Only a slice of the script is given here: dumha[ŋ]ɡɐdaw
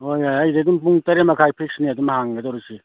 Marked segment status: correct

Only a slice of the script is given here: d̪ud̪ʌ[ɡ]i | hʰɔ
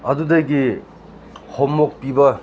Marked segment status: correct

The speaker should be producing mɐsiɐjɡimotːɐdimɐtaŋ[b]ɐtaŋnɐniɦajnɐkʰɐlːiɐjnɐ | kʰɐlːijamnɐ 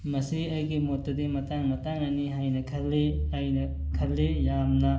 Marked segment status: incorrect: m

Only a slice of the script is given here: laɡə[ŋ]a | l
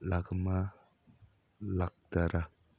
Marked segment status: incorrect: m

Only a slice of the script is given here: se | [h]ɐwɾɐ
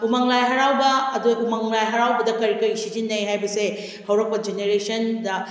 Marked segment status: correct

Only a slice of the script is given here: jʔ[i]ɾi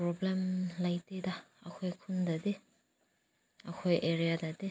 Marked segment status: incorrect: e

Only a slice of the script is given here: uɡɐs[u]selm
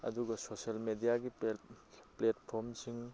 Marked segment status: incorrect: o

